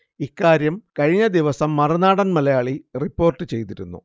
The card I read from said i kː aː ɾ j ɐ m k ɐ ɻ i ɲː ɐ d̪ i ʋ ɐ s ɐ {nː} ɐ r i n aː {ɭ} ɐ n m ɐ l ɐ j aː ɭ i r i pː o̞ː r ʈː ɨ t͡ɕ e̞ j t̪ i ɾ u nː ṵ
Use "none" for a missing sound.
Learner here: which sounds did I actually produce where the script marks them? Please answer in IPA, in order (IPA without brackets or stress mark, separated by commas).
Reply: mː, ɽ